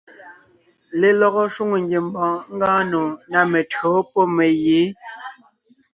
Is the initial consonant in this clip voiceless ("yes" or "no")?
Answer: no